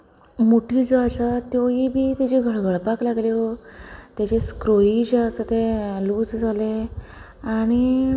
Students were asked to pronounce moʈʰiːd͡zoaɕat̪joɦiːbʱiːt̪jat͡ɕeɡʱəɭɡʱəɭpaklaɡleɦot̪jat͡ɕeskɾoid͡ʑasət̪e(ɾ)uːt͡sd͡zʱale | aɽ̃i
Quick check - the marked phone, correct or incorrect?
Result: incorrect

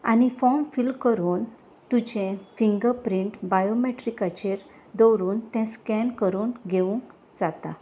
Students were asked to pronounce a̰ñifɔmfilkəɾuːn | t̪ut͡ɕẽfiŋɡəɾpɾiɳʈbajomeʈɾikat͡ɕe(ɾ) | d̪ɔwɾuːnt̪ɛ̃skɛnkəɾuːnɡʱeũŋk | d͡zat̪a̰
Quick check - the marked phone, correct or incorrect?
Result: correct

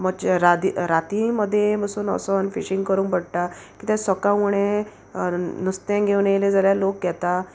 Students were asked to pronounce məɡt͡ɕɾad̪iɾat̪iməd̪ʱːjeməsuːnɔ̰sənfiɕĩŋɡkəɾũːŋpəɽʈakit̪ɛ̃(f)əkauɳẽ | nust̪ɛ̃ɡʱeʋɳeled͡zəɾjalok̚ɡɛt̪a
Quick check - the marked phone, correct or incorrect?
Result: incorrect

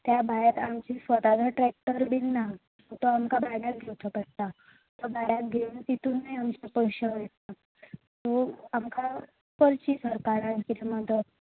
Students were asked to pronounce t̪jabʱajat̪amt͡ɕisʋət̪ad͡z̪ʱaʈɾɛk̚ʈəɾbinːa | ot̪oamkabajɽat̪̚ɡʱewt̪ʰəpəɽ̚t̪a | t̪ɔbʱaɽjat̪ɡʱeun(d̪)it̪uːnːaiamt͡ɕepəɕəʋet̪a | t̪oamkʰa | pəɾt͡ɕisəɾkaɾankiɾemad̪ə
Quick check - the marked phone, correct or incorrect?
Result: incorrect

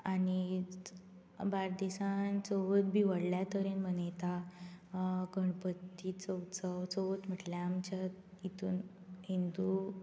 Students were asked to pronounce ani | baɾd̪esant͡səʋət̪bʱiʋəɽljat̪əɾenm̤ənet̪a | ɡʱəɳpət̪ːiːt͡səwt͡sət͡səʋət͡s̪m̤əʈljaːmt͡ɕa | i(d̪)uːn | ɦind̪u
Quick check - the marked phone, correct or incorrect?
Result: incorrect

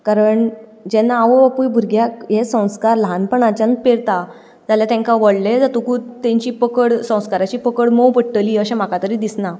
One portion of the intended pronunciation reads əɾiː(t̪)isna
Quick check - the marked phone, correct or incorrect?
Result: incorrect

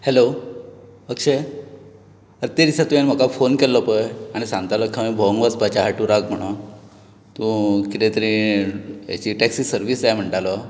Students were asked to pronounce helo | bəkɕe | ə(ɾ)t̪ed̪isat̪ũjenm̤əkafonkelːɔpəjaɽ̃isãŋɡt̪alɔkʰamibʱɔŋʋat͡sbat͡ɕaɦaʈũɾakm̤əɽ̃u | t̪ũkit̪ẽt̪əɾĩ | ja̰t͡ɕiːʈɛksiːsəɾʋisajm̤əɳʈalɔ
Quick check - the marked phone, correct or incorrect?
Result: correct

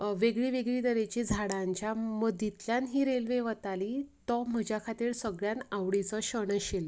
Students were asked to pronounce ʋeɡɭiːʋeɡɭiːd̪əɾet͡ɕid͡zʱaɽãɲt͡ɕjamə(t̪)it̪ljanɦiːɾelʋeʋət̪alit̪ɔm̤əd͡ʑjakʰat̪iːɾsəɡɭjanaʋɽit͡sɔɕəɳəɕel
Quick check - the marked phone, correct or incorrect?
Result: incorrect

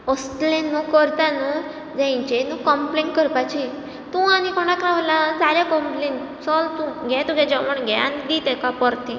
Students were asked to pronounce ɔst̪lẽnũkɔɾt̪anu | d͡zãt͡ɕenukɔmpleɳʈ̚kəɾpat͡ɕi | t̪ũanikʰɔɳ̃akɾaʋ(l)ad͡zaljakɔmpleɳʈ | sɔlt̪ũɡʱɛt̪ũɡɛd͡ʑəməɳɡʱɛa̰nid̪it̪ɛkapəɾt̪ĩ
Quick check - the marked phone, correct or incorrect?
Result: correct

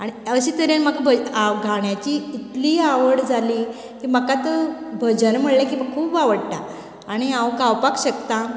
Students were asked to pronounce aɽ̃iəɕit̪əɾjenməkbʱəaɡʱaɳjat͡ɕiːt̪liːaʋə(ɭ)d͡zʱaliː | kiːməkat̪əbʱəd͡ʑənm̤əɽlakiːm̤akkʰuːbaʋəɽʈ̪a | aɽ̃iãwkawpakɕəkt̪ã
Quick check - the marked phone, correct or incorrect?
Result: incorrect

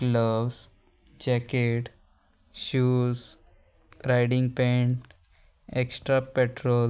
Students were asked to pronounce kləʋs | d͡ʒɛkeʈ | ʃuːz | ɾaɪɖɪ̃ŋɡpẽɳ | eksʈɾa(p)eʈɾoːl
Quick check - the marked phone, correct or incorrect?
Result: correct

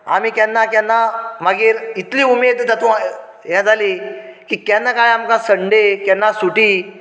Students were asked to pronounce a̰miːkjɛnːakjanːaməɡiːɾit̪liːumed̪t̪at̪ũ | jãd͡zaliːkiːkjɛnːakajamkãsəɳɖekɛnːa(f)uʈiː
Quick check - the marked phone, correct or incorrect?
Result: incorrect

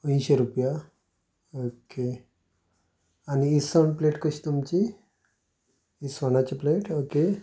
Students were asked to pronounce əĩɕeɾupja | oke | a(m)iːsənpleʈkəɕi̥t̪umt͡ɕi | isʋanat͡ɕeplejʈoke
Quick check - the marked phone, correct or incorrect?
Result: incorrect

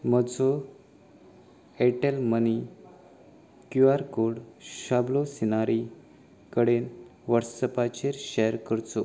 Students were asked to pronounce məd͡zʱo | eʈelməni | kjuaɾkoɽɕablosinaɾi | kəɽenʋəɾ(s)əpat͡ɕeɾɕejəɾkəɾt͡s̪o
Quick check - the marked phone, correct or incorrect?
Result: correct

